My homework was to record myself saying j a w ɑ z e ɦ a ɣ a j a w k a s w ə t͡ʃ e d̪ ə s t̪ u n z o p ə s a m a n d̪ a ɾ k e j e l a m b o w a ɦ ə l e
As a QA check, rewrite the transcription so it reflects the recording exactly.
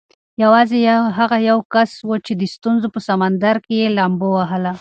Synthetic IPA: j a w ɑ z e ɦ a ɣ a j a w k a s w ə t͡ʃ e d̪ ə s t̪ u n z o p ə s a m a n d̪ a ɾ k e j e l a m b o w a ɦ ə l a